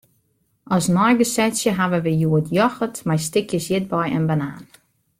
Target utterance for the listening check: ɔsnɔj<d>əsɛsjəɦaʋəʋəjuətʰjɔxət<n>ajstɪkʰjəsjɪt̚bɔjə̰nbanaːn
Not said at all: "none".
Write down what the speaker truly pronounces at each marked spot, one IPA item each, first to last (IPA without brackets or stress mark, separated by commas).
ɡ, m